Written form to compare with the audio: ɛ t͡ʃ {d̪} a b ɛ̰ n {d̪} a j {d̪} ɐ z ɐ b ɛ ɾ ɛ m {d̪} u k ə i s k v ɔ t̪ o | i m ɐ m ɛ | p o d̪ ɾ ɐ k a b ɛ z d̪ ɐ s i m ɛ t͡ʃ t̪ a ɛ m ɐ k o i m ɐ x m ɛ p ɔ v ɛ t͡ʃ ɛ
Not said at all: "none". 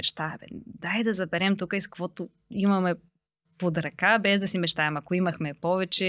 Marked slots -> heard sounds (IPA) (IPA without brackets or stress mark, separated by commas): t̪, d̪, d̪, t̪